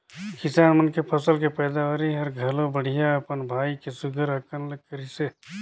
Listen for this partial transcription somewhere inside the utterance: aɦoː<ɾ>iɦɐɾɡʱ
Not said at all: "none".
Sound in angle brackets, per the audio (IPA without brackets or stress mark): ɾ